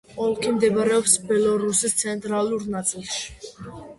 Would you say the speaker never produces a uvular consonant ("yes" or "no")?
yes